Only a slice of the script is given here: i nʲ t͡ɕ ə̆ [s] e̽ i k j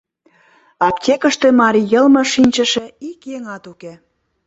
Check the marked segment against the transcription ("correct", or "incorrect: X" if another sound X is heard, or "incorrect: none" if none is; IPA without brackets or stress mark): incorrect: ʃ